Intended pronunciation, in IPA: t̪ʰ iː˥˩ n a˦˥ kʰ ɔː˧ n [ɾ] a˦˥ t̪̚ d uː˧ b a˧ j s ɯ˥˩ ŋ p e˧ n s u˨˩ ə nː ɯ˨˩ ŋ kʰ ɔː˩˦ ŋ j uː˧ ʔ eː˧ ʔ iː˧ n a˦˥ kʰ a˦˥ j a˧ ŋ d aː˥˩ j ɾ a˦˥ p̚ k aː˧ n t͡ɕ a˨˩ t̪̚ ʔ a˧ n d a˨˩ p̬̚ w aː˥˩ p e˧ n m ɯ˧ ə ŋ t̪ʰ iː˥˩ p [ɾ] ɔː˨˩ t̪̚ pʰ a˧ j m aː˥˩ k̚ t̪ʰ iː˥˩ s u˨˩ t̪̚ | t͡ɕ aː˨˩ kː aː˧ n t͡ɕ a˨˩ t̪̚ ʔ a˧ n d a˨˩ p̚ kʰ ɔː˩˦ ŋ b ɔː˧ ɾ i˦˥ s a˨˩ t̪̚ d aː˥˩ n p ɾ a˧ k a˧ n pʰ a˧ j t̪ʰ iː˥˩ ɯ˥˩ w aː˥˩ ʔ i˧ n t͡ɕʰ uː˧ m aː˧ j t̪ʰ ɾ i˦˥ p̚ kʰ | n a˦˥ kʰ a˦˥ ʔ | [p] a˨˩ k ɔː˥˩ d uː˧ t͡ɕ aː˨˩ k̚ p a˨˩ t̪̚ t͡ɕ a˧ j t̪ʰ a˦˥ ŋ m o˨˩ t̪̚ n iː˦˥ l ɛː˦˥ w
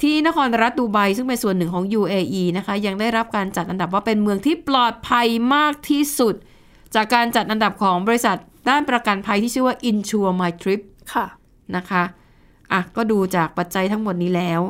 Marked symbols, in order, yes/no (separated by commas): yes, no, no